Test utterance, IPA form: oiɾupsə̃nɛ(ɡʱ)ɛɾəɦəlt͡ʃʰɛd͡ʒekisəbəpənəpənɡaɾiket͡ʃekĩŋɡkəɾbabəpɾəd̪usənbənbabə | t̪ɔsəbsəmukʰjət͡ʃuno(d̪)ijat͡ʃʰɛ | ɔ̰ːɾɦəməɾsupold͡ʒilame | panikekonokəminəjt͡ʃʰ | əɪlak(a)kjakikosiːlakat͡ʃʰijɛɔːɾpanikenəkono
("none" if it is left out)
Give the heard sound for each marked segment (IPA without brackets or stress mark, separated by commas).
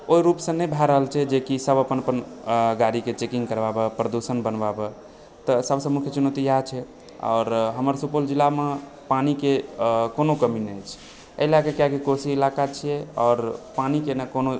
bʱ, t̪, e